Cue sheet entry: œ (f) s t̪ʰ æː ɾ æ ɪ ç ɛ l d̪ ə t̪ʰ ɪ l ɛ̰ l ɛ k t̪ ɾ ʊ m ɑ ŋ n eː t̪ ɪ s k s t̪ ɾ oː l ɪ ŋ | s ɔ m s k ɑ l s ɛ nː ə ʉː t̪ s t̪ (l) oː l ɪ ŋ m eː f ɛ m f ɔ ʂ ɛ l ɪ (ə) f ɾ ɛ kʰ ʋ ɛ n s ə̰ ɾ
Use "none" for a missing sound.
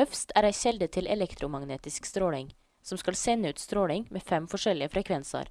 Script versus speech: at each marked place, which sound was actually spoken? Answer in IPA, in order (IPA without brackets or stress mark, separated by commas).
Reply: f, ɾ, ə